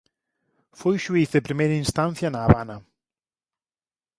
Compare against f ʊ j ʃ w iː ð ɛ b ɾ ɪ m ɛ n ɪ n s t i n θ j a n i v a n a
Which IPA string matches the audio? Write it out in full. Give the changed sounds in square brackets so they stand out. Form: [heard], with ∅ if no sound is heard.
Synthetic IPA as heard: f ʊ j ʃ w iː [θ] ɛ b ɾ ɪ m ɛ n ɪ n s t [a] n θ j a n [a] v a n a